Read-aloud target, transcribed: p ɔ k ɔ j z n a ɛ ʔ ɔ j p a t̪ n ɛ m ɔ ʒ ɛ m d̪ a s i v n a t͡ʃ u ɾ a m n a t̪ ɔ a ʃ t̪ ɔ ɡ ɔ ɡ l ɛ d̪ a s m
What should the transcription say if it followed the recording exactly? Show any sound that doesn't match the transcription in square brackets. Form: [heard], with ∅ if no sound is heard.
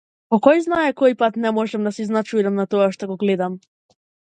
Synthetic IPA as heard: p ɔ k ɔ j z n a ɛ [k] ɔ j p a t̪ n ɛ m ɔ ʒ ɛ m d̪ a s i [z] n a t͡ʃ u ɾ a m n a t̪ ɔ a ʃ t̪ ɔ ɡ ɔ ɡ l ɛ d̪ a [∅] m